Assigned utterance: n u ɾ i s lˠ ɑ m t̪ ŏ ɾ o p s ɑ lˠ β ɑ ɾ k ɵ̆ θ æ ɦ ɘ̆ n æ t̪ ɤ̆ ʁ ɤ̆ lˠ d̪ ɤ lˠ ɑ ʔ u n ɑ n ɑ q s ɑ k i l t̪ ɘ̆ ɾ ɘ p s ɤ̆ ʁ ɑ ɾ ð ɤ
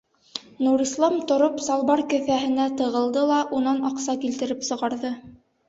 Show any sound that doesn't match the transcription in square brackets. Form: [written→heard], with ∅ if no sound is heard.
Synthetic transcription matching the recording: n u ɾ i s lˠ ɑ m t̪ ŏ ɾ o p s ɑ lˠ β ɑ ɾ k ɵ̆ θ æ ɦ ɘ̆ n æ t̪ ɤ̆ ʁ ɤ̆ lˠ d̪ ɤ lˠ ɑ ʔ u n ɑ n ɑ q s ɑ k i l t̪ ɘ̆ ɾ ɘ p s ɤ̆ ʁ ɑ ɾ ð ɤ